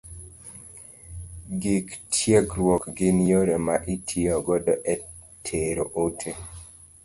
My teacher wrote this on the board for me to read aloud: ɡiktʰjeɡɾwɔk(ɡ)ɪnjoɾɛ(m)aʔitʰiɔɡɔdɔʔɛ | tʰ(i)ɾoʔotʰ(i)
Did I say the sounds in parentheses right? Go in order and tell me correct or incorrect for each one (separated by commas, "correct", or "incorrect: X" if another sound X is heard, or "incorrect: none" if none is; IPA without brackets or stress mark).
correct, correct, incorrect: e, incorrect: e